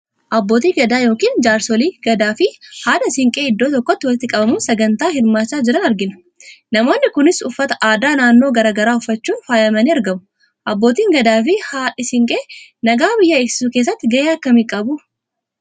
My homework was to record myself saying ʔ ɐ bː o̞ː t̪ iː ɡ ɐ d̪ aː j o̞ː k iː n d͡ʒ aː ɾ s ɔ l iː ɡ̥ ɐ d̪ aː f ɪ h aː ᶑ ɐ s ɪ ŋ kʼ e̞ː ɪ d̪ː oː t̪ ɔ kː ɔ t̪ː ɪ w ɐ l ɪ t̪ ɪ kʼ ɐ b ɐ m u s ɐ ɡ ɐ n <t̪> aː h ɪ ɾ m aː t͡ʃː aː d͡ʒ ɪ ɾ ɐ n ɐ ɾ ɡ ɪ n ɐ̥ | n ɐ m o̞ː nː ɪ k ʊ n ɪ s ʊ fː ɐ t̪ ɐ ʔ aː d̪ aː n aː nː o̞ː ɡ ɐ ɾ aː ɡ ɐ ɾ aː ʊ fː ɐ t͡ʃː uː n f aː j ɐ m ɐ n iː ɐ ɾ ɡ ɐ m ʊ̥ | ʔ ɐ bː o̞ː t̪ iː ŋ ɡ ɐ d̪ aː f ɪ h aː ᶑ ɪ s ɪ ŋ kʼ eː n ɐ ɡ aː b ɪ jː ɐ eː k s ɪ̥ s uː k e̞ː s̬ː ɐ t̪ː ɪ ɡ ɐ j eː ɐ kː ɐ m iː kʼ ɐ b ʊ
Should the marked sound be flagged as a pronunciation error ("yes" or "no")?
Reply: no